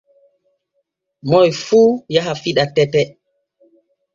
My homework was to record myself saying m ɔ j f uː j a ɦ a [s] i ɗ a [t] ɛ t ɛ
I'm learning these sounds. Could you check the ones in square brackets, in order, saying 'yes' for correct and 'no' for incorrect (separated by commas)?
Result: no, yes